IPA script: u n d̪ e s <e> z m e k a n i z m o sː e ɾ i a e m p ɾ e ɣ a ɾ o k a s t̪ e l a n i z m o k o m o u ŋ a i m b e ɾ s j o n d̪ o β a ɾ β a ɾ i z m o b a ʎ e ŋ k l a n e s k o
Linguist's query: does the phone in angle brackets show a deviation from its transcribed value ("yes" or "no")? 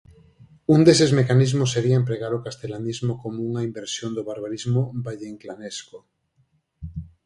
no